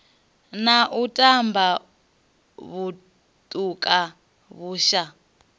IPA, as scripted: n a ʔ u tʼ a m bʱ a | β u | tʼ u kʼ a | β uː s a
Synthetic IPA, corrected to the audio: n a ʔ u tʼ a m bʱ a | β u | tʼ u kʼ a | β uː ʃ a